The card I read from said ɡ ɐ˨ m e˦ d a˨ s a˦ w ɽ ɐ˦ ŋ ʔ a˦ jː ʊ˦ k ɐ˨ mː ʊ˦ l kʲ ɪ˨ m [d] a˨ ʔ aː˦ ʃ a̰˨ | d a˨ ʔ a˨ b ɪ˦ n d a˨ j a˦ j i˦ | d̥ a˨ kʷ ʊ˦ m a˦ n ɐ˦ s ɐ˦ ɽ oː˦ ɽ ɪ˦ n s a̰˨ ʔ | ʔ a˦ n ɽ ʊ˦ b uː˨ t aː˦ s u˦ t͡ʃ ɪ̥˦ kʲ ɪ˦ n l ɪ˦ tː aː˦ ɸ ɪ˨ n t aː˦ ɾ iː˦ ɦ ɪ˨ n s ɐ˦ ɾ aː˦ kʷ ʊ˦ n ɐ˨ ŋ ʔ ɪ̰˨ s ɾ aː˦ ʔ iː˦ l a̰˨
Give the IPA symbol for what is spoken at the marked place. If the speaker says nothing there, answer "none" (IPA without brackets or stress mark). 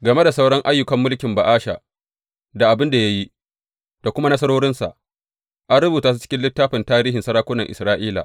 b